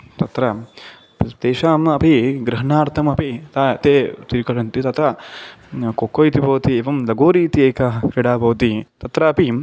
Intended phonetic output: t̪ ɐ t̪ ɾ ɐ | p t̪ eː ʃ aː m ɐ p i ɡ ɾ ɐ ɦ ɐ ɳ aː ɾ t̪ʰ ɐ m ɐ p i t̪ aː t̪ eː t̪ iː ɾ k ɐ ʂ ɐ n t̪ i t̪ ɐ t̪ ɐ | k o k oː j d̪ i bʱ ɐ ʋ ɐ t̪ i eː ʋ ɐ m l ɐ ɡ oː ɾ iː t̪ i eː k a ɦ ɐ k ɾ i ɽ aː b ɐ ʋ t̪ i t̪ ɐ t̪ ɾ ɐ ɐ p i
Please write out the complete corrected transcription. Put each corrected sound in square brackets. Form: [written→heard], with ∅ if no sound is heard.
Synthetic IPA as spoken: t̪ ɐ t̪ ɾ ɐ | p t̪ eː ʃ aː m ɐ p i ɡ ɾ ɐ ɦ ɐ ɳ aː ɾ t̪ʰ ɐ m ɐ p i t̪ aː t̪ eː t̪ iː ɾ k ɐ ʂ ɐ n t̪ i t̪ ɐ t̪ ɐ | k o k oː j [d̪→t̪] i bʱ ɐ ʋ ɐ t̪ i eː ʋ ɐ m l ɐ ɡ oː ɾ iː t̪ i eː k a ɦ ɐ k ɾ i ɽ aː b ɐ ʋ t̪ i t̪ ɐ t̪ ɾ ɐ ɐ p i